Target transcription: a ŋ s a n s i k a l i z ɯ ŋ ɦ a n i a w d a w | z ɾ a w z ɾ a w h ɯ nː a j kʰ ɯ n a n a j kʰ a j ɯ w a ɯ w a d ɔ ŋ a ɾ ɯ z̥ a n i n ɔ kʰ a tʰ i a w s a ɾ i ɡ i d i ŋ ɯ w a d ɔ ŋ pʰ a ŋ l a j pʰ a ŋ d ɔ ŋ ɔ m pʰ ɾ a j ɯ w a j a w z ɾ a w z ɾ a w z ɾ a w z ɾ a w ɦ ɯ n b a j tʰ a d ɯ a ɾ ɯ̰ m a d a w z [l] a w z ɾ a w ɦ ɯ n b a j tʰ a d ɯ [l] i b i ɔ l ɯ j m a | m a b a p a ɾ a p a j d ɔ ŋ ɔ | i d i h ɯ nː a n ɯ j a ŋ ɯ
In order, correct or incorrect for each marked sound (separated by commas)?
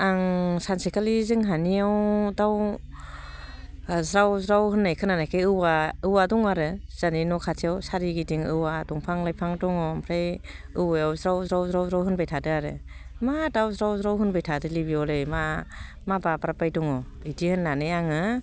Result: incorrect, correct